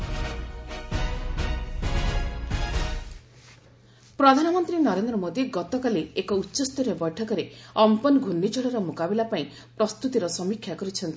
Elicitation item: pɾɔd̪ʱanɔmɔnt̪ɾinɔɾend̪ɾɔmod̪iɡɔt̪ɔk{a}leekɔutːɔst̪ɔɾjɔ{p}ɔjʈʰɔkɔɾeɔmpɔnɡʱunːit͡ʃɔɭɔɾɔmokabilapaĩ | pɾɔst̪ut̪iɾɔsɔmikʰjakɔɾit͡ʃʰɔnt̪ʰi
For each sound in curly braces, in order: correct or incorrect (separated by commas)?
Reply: correct, incorrect